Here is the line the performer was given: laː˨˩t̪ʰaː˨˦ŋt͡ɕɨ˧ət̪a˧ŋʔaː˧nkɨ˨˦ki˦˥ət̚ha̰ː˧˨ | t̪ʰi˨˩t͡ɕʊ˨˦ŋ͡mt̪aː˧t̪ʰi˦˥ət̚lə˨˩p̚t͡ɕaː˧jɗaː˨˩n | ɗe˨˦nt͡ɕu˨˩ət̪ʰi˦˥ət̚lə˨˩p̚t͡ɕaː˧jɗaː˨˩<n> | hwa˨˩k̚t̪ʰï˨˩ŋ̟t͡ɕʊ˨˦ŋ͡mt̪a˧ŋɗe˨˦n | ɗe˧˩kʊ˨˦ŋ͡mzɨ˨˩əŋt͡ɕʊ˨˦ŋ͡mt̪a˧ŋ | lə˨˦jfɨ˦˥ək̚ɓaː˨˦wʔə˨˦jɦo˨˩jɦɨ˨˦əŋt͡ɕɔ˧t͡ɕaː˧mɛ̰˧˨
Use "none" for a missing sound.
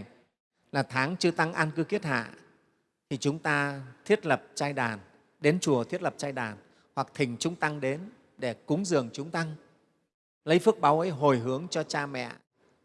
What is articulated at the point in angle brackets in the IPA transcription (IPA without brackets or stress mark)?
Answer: n